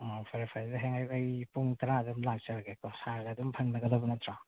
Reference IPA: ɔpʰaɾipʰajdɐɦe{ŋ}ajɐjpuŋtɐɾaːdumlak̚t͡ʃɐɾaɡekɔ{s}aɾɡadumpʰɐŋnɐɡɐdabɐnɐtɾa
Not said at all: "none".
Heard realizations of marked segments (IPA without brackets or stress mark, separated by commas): ŋ, s